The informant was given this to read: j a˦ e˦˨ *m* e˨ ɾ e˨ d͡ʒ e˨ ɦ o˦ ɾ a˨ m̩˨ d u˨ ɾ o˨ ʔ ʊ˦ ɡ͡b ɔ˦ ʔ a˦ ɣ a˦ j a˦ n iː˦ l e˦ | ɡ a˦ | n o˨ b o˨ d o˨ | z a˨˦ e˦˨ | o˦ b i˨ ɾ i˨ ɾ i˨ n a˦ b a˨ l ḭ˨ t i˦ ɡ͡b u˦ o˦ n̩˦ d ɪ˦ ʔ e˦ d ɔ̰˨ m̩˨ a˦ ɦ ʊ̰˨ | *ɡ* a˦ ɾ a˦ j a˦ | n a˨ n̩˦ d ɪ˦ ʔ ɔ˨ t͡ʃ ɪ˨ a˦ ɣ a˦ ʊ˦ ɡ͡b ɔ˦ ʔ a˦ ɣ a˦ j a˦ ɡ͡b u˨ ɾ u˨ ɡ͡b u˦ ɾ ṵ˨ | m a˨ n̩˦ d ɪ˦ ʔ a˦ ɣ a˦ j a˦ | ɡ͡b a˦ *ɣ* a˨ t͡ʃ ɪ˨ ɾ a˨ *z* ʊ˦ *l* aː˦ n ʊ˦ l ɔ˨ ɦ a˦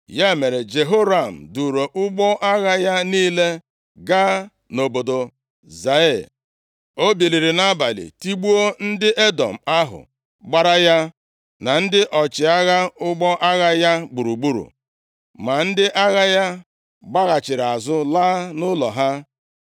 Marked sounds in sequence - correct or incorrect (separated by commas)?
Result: correct, incorrect, correct, correct, correct